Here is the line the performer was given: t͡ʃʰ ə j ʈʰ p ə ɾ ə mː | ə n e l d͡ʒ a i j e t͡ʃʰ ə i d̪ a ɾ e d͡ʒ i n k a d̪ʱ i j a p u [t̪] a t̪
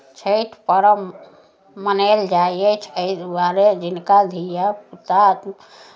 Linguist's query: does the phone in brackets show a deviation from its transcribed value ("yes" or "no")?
no